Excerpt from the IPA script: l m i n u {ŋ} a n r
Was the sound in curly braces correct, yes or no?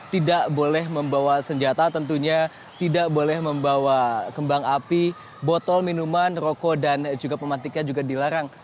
no